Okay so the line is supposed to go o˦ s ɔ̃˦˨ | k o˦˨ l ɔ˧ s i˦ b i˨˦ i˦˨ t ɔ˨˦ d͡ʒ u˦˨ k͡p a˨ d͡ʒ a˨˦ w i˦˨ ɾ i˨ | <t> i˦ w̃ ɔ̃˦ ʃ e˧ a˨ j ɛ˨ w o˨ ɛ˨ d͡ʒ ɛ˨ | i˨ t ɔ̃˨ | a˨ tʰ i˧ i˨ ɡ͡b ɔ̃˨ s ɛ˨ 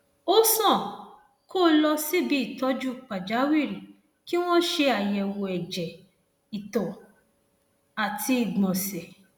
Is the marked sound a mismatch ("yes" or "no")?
yes